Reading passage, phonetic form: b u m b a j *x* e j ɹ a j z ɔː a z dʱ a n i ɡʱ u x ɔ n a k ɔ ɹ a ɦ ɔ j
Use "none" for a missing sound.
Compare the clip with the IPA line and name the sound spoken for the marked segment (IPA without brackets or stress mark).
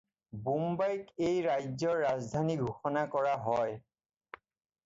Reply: k